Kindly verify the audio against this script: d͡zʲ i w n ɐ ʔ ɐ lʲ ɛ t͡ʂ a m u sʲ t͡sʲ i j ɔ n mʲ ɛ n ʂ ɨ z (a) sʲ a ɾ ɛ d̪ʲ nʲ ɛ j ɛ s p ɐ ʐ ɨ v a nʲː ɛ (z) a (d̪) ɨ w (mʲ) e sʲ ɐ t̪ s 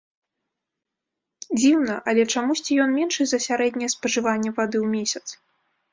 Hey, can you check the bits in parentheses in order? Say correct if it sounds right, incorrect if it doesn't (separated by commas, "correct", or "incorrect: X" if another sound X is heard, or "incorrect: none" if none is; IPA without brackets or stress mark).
incorrect: ɐ, incorrect: v, correct, correct